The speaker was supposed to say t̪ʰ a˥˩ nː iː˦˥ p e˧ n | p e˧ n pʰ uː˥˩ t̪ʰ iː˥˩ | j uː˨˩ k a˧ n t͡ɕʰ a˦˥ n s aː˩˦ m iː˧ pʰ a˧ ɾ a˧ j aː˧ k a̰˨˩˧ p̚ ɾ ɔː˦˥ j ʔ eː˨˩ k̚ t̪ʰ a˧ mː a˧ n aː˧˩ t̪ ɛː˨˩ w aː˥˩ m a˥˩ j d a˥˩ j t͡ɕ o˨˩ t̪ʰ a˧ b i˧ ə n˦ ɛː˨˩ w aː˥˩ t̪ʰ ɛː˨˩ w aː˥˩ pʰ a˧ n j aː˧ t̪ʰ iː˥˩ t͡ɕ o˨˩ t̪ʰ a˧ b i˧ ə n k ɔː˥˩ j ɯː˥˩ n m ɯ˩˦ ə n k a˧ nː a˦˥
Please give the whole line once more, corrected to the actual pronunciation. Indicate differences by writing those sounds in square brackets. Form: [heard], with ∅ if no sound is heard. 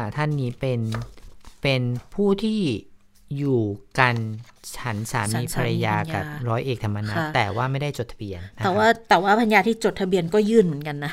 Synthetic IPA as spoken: t̪ʰ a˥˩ nː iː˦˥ p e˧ n | p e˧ n pʰ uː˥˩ t̪ʰ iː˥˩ | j uː˨˩ k a˧ n t͡ɕʰ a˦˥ n s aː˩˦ m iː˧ pʰ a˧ ɾ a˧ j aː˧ k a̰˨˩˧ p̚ ɾ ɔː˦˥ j ʔ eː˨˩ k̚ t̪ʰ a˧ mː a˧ n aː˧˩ t̪ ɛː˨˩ w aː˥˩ m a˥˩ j d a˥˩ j t͡ɕ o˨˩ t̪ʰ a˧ b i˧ ə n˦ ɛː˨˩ w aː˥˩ [t̪] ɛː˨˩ w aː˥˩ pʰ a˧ n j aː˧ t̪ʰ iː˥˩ t͡ɕ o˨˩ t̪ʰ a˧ b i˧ ə n k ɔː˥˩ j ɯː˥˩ n m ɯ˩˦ ə n k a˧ nː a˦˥